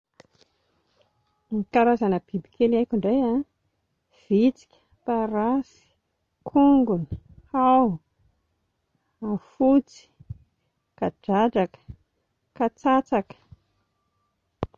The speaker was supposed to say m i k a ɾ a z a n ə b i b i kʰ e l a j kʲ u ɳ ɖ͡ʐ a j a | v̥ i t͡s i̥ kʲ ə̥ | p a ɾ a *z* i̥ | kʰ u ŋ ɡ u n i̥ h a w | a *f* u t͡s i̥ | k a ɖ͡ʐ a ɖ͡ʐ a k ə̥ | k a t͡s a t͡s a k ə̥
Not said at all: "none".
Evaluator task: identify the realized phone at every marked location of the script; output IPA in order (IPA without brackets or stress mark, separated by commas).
s, f